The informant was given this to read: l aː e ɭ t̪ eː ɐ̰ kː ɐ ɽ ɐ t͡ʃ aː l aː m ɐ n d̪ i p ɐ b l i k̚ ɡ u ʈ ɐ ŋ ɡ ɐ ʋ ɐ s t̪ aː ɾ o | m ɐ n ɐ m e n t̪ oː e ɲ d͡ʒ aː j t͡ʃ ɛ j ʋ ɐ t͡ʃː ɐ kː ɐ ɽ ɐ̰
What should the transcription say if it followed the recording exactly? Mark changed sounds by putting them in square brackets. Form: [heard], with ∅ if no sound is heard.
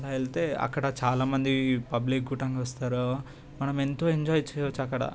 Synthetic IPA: l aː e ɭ t̪ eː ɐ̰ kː ɐ ɽ ɐ t͡ʃ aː l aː m ɐ n d̪ i p ɐ b l i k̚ ɡ u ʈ ɐ ŋ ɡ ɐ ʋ ɐ s t̪ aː ɾ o | m ɐ n ɐ m e n t̪ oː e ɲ d͡ʒ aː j t͡ʃ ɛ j ʋ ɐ t͡ʃː ɐ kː ɐ ɽ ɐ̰